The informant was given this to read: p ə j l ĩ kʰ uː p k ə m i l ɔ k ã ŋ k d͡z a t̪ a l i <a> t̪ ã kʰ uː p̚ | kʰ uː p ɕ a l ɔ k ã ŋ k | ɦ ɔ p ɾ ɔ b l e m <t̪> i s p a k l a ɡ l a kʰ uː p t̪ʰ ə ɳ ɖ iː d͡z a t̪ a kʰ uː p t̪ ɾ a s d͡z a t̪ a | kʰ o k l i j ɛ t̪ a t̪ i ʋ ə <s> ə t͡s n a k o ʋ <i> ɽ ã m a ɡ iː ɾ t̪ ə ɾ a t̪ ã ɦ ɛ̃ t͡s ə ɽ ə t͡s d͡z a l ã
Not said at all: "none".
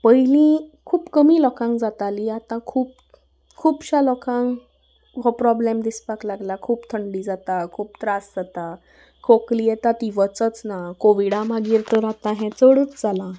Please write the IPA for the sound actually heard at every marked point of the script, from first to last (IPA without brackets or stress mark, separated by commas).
a, d̪, t͡s, i